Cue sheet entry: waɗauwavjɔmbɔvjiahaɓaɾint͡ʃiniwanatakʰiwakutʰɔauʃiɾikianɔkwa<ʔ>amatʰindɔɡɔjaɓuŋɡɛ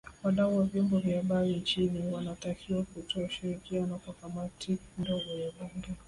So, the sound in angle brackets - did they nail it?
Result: no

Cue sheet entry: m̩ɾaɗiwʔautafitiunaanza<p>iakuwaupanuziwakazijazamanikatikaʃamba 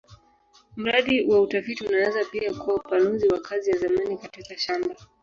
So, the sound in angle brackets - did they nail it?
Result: yes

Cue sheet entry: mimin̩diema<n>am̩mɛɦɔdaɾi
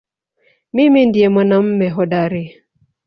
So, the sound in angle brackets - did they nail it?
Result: yes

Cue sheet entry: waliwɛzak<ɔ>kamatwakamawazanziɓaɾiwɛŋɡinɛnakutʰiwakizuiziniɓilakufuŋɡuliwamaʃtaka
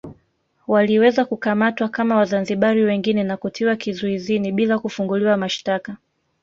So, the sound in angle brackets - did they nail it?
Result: no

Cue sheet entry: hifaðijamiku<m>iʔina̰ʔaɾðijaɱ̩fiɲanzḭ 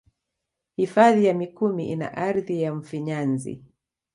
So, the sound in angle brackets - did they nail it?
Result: yes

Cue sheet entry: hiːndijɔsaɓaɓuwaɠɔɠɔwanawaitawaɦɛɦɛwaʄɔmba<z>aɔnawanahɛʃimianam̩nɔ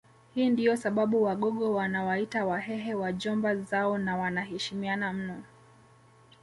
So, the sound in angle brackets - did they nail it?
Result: yes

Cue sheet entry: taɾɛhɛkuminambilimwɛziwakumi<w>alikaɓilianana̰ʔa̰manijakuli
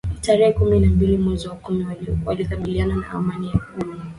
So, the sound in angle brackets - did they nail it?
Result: yes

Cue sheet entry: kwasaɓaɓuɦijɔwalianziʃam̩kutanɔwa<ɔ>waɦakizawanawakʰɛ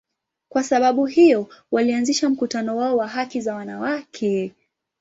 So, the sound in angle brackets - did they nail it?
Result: yes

